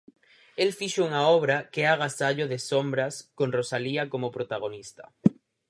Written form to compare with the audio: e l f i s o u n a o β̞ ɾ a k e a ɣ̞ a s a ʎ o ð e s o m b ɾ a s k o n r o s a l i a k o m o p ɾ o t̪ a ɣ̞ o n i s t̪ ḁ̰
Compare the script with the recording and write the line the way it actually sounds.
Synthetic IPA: e l f i ʃ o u ŋ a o β̞ ɾ a k e a ɣ̞ a s a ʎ o ð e s o m b ɾ a s k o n r o s a l i a k o m o p ɾ o t̪ a ɣ̞ o n i s t̪ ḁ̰